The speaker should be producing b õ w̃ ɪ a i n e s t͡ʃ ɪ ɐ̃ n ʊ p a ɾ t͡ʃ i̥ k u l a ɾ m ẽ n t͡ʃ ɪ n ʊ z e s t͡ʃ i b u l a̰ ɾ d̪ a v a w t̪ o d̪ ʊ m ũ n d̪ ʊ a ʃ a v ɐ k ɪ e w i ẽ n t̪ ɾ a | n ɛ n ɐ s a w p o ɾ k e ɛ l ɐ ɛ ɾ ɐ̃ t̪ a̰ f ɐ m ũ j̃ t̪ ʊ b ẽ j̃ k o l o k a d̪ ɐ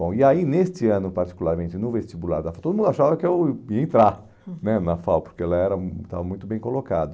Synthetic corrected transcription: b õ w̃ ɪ a i n e s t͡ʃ ɪ ɐ̃ n ʊ p a ɾ t͡ʃ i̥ k u l a ɾ m ẽ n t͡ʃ ɪ n ʊ v e s t͡ʃ i b u l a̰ ɾ d̪ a f a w t̪ o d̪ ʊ m ũ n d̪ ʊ a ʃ a v ɐ k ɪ e w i ẽ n t̪ ɾ a | n ɛ n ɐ f a w p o ɾ k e ɛ l ɐ ɛ ɾ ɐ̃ t̪ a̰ v ɐ m ũ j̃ t̪ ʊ b ẽ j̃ k o l o k a d̪ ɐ

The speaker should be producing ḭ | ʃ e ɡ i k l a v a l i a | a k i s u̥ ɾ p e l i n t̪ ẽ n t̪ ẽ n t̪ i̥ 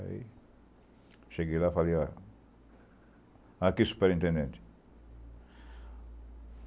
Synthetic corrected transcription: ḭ | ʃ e ɡ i l a f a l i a | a k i s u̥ p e ɾ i n t̪ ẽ n d̪ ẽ n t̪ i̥

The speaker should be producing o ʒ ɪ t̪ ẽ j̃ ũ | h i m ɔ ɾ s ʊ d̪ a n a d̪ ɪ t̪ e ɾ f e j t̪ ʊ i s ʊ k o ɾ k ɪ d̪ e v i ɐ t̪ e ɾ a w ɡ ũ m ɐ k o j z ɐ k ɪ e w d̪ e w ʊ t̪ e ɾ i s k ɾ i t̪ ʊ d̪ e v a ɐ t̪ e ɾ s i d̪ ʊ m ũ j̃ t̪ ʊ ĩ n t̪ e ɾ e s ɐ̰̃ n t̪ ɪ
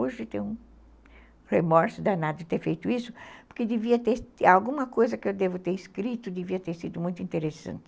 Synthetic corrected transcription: o ʒ ɪ t̪ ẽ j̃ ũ | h e m ɔ ɾ s ʊ d̪ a n a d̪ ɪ t̪ e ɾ f e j t̪ ʊ i s ʊ p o ɾ k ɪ d̪ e v i ɐ t̪ e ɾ a w ɡ ũ m ɐ k o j z ɐ k ɪ e w d̪ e v ʊ t̪ e ɾ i s k ɾ i t̪ ʊ d̪ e v i ɐ t̪ e ɾ s i d̪ ʊ m ũ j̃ t̪ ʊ ĩ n t̪ e ɾ e s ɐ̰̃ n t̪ ɪ

